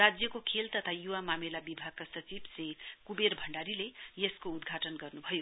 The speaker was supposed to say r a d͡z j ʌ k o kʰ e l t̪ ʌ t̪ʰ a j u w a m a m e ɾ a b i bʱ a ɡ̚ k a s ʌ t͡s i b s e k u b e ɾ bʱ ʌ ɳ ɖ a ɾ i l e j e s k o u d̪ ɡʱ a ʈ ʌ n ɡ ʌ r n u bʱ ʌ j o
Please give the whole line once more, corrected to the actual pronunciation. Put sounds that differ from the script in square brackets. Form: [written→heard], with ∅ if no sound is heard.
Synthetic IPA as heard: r a d͡z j ʌ k o kʰ e l t̪ ʌ t̪ʰ a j u w a m a m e [ɾ→l] a b i bʱ a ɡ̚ k a s ʌ t͡s i b s e k u b e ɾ bʱ ʌ ɳ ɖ a ɾ i l e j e s k o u d̪ ɡʱ a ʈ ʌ n ɡ ʌ r n u bʱ ʌ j o